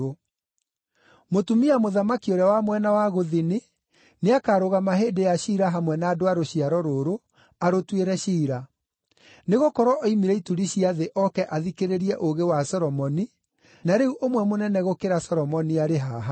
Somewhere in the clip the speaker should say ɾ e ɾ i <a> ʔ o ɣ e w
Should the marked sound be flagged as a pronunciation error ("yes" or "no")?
yes